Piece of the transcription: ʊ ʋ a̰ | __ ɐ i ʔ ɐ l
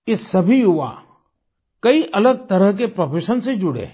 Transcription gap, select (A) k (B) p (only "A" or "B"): A